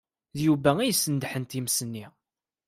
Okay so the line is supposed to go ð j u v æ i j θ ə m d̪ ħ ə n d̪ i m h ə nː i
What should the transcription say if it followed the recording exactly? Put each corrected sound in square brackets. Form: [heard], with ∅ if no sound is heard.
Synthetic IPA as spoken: ð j u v æ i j [s] ə [n] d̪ ħ ə n [t̪] i m [s] ə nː i